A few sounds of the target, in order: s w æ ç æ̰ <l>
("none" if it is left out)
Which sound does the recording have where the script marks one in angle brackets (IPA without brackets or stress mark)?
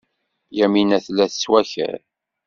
ɾ